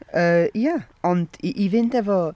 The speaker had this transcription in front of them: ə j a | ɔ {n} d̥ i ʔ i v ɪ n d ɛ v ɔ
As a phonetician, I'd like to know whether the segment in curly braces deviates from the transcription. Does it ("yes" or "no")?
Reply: no